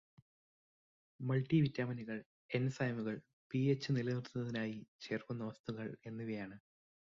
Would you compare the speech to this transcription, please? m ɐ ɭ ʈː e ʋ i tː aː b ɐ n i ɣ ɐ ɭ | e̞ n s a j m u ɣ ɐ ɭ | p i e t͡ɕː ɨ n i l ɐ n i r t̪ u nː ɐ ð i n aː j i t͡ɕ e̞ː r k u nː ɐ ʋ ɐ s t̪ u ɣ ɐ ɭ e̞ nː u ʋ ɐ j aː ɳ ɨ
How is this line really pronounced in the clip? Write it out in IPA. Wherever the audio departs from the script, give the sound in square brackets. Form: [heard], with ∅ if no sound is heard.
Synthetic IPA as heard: m ɐ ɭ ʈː [i] ʋ i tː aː [m] ɐ n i ɣ ɐ ɭ | e̞ n s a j m u ɣ ɐ ɭ | p i e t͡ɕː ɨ n i l ɐ n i r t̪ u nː ɐ ð i n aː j i t͡ɕ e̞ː r k u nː ɐ ʋ ɐ s t̪ u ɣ ɐ ɭ e̞ nː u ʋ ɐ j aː ɳ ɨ